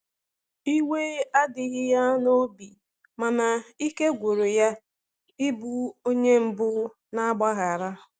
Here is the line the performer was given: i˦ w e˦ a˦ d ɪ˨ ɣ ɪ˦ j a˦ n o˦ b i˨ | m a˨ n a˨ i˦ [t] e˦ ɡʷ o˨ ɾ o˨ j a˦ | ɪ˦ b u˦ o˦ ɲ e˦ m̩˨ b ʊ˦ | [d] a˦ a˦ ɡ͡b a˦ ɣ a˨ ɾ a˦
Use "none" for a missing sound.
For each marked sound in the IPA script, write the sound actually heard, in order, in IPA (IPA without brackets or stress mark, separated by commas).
k, n